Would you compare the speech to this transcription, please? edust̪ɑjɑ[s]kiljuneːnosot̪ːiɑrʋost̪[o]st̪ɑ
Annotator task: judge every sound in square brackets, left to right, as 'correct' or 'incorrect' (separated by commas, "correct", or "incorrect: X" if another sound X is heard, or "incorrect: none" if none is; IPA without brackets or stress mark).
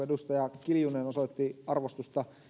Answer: incorrect: none, incorrect: u